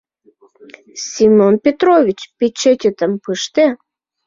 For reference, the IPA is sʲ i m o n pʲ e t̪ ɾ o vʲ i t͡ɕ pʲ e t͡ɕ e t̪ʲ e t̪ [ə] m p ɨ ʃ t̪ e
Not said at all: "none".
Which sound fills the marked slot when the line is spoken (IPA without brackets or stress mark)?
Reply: ə